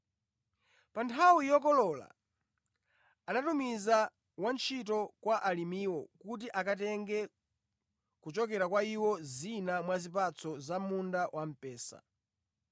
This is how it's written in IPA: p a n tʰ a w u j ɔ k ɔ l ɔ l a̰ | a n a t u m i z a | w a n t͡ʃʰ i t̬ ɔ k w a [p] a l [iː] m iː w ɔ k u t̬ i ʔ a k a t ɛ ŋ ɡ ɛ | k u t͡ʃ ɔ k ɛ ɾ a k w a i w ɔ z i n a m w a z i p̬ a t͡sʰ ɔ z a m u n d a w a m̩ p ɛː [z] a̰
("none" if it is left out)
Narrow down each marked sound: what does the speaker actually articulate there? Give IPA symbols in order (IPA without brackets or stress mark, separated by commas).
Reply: ʔ, i, s